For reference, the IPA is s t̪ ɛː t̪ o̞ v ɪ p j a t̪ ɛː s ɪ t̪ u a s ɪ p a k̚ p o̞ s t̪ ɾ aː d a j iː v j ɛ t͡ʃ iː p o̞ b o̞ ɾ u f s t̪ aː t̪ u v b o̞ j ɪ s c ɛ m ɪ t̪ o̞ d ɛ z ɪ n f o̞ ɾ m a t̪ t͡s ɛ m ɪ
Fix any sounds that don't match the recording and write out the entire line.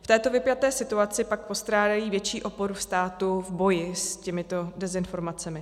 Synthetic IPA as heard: f t̪ ɛː t̪ o̞ v ɪ p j a t̪ ɛː s ɪ t̪ u a t͡s ɪ p a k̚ p o̞ s t̪ ɾ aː d a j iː v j ɛ t͡ʃ iː ʔ o̞ p o̞ ɾ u f s t̪ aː t̪ u v b o̞ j ɪ s c ɛ m ɪ t̪ o̞ d ɛ z ɪ n f o̞ ɾ m a t͡s ɛ m ɪ